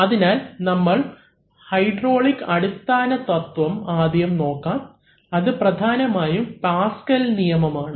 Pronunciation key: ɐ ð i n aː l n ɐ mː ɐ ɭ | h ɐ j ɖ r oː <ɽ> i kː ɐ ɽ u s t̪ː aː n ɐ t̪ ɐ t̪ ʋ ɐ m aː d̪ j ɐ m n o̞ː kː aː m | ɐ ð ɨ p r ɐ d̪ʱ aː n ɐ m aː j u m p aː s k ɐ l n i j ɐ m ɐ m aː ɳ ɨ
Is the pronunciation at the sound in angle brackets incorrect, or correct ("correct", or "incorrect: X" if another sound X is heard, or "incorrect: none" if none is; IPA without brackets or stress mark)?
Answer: incorrect: ɭ